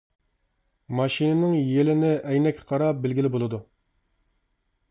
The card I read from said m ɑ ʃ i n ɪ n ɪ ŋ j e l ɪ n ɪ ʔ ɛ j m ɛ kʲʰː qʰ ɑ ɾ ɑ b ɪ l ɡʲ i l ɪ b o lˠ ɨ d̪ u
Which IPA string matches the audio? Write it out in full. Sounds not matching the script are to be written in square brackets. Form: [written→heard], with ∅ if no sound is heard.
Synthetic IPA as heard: m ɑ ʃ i n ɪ n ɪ ŋ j e l ɪ n ɪ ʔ ɛ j [m→n] ɛ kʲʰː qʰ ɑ ɾ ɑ b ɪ l ɡʲ i l ɪ b o lˠ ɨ d̪ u